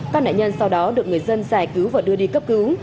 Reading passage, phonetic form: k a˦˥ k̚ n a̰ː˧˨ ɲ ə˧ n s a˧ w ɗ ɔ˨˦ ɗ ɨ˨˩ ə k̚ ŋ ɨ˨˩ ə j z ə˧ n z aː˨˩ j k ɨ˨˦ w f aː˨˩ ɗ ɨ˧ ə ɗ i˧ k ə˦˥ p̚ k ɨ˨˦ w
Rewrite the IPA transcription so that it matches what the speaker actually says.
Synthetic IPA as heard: k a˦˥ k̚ n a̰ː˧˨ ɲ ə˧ n s a˧ w ɗ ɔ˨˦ ɗ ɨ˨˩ ə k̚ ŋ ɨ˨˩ ə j z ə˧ n z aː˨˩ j k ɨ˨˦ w v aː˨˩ ɗ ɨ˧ ə ɗ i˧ k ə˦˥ p̚ k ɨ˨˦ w